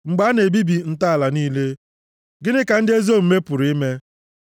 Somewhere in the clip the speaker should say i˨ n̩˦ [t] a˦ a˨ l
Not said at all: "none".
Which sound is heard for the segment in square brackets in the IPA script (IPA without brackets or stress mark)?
t